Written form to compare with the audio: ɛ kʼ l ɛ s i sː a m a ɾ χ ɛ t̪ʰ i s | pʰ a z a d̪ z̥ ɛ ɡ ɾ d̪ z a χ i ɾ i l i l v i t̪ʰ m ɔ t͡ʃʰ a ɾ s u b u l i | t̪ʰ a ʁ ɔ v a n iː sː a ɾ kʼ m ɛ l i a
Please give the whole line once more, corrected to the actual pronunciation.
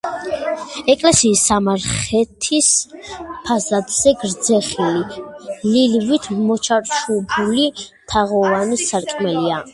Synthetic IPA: ɛ kʼ l ɛ s iː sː a m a ɾ χ ɛ t̪ʰ i s | pʰ a z a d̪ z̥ ɛ ɡ ɾ d̪ z ɛ χ i l i l i l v i t̪ʰ m ɔ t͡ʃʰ a ɾ ʃ u b u l i | t̪ʰ a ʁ ɔ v a n i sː a ɾ kʼ m ɛ l i a